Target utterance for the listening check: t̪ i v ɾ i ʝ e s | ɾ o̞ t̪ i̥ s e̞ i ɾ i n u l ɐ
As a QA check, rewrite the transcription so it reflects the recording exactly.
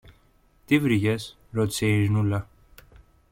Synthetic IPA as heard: t̪ i v ɾ i ʝ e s | ɾ o̞ t̪ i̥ s e̞ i ɾ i n u l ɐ